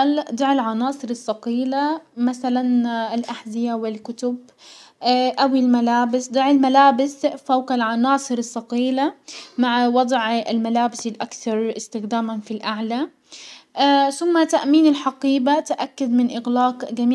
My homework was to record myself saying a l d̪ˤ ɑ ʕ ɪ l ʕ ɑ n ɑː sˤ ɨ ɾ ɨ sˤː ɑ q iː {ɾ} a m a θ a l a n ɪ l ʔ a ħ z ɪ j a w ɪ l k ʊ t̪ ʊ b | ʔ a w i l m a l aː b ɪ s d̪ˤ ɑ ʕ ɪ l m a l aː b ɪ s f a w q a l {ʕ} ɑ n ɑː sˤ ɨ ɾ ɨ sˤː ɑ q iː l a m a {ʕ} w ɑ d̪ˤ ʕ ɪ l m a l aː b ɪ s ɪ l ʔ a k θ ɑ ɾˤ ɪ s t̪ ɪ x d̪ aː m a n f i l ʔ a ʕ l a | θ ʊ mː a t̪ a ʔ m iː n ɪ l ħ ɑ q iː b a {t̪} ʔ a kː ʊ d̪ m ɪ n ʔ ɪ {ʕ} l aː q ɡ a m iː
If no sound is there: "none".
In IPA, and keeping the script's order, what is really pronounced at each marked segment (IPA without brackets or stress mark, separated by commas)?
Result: l, ʕ, ʕ, t̪, ɣ